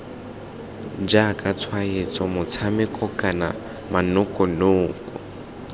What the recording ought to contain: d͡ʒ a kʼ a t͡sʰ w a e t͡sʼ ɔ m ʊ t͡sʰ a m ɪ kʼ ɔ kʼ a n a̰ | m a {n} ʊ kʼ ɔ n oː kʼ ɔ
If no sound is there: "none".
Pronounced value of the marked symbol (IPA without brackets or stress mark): n